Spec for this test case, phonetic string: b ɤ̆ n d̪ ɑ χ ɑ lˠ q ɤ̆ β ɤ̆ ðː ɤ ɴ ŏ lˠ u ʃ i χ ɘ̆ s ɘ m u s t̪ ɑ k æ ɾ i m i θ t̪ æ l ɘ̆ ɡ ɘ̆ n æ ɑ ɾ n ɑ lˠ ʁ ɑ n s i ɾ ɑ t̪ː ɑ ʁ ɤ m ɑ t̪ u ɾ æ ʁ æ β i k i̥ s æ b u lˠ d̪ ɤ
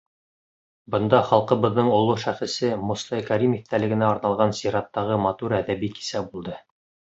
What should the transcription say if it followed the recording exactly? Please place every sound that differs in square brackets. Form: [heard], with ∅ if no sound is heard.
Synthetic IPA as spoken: b ɤ̆ n d̪ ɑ χ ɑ lˠ q ɤ̆ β ɤ̆ ðː ɤ ɴ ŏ lˠ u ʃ [æ] χ ɘ̆ s ɘ m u s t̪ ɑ k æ ɾ i m i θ t̪ æ l ɘ̆ ɡ ɘ̆ n æ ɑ ɾ n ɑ lˠ ʁ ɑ n s i ɾ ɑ t̪ː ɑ ʁ ɤ m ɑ t̪ u ɾ æ [ð] æ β i k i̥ s æ b u lˠ d̪ ɤ

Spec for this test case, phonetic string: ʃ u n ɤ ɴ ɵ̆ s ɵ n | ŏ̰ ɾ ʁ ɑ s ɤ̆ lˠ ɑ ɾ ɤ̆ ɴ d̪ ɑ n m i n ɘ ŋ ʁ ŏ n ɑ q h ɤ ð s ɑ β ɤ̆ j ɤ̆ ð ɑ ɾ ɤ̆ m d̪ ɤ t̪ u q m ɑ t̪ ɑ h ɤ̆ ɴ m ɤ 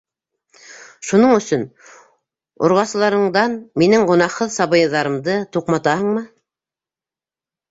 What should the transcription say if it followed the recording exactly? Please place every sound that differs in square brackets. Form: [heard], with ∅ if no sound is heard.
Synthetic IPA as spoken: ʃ u n ɤ ɴ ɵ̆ s ɵ n | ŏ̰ ɾ ʁ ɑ s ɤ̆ lˠ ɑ ɾ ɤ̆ ɴ d̪ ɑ n m i n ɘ ŋ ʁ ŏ n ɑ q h ɤ ð s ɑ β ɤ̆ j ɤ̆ ð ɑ ɾ ɤ̆ m d̪ ɤ t̪ u q m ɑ t̪ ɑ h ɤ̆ ɴ m ɤ

